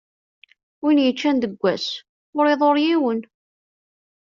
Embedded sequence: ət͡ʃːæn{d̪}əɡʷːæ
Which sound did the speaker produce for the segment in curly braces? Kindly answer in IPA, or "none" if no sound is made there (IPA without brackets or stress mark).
d̪